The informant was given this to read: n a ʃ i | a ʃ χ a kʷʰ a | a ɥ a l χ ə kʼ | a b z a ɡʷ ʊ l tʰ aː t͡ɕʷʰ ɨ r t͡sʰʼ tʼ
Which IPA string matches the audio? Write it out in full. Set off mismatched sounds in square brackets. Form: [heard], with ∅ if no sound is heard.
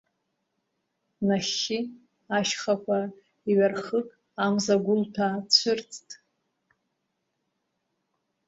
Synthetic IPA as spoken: n a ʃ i | a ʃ χ a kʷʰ a | [i] ɥ a [r] χ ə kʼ | a [m] z a ɡʷ ʊ l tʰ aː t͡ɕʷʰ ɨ r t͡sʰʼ tʼ

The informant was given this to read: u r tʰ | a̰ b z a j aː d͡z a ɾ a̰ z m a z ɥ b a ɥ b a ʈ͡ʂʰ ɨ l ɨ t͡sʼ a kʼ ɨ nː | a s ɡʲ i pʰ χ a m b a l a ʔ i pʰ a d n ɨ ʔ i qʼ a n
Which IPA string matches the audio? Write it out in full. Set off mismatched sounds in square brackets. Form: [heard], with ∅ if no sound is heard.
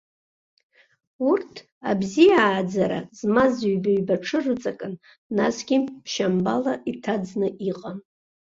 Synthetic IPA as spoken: u r tʰ | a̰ b z [i] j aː d͡z a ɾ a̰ z m a z ɥ b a ɥ b a ʈ͡ʂʰ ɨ [r] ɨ t͡sʼ a kʼ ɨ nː | a s ɡʲ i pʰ [ʃ] a m b a l a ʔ i [tʰ] a [d͡z] n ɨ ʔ i qʼ a n

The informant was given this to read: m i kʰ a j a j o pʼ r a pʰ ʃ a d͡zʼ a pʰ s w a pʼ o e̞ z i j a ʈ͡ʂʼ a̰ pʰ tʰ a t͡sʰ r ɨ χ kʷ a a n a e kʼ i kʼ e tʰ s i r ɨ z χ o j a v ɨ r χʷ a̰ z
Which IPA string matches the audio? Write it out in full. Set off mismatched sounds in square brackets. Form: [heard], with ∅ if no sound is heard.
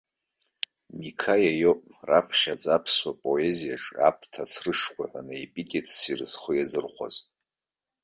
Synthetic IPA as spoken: m i kʰ a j a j o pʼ r a pʰ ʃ a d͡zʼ a pʰ s w a pʼ o e̞ z i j a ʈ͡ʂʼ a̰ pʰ tʰ a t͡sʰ r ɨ [ʂ] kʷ a a n a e [pʼ] i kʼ e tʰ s i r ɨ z χ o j a [z] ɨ r χʷ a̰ z

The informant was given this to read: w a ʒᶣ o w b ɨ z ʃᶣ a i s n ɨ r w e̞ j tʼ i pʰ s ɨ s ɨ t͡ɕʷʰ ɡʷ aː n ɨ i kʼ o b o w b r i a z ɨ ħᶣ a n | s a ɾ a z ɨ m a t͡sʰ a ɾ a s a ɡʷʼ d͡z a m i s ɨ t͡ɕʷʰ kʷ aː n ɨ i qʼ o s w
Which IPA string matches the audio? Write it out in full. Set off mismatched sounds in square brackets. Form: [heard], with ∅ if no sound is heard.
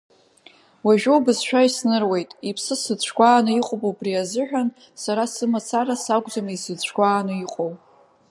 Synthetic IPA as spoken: w a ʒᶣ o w b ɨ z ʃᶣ a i s n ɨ r w e̞ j tʼ i pʰ s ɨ s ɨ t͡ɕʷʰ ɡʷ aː n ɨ i [qʼ] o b o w b r i a z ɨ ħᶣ a n | s a ɾ a [s] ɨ m a t͡sʰ a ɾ a s a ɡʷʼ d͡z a m i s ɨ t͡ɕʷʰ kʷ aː n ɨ i qʼ o [∅] w

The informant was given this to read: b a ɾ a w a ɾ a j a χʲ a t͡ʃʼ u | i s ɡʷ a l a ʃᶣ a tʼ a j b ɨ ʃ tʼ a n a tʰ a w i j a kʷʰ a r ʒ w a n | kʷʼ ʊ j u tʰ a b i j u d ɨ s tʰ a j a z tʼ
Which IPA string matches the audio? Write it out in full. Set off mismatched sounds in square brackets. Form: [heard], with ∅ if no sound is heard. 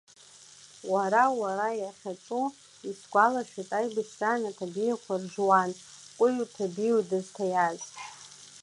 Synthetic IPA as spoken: [w] a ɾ a w a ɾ a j a χʲ a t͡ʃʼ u | i s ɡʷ a l a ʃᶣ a tʼ a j b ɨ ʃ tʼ a n a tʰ a [b] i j a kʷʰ a r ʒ w a n | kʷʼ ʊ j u tʰ a b i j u d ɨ [z] tʰ a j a z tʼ

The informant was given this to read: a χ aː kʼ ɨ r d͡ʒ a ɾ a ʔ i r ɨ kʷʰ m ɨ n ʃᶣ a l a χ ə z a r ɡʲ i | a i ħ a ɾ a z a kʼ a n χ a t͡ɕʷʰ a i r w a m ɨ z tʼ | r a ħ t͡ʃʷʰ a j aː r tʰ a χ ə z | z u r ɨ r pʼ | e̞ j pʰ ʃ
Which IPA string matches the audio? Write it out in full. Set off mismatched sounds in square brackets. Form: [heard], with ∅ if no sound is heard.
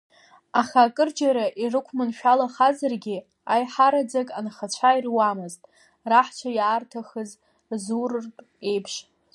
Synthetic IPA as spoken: a χ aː kʼ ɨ r d͡ʒ a ɾ a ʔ i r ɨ kʷʰ m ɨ n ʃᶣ a l a χ [a] z a r ɡʲ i | a [j] ħ a ɾ a [d͡z] a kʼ a n χ a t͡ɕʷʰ a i r w a m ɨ z tʼ | r a ħ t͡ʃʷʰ a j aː r tʰ a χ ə z | z u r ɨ r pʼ | e̞ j pʰ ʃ

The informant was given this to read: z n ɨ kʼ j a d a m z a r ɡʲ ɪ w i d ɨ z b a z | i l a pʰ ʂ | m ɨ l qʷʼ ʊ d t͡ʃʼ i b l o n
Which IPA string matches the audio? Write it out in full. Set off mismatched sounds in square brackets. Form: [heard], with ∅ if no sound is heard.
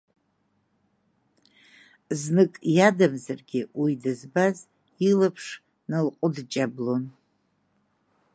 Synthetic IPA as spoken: z n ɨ kʼ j a d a m z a r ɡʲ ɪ w i d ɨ z b a z | i l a pʰ ʂ | [n] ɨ l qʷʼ ʊ d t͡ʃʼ [a] b l o n

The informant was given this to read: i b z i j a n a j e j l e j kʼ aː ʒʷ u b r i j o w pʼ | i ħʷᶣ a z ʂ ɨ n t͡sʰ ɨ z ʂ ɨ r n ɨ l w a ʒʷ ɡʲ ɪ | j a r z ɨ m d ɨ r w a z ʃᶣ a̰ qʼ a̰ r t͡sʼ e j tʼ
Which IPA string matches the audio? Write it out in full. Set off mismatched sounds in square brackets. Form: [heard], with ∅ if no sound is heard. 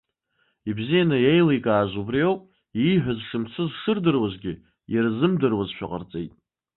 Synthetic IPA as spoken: i b z i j a n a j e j l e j kʼ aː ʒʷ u b r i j o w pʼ | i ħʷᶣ a z ʂ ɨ [m] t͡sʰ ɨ z ʂ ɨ r [d] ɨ [r] w a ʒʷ ɡʲ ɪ | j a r z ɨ m d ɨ r w a z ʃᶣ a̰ qʼ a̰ r t͡sʼ e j tʼ

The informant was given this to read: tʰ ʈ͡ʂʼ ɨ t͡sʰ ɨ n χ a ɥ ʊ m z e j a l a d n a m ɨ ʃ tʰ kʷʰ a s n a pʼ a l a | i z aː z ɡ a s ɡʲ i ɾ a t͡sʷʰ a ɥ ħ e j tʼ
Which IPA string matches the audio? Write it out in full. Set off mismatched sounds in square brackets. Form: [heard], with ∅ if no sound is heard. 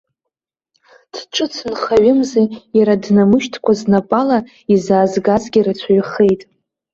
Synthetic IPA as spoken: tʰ ʈ͡ʂʼ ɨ t͡sʰ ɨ n χ a ɥ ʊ m z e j a [ɾ] a d n a m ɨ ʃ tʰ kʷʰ a [z] n a pʼ a l a | i z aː z ɡ a [z] ɡʲ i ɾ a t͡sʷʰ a ɥ [χ] e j tʼ

